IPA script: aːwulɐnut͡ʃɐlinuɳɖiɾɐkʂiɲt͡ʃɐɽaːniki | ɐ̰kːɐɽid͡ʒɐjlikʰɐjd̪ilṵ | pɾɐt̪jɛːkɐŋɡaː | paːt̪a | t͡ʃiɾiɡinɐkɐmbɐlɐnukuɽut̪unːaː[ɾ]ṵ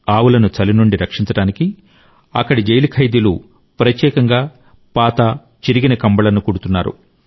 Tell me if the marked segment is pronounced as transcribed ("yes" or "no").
yes